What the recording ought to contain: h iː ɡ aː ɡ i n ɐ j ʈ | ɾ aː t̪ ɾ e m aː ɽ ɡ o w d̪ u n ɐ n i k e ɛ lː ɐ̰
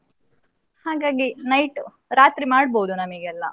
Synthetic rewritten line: h aː ɡ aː ɡ i n ɐ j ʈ | ɾ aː t̪ ɾ i m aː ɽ b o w d̪ u n ɐ m i ɡ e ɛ lː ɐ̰